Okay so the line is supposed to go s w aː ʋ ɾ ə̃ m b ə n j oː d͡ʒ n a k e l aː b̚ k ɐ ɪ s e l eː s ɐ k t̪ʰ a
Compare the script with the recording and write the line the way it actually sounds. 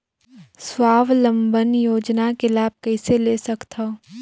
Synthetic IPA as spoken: s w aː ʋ l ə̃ m b ə n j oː d͡ʒ n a k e l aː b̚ k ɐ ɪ s e l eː s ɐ k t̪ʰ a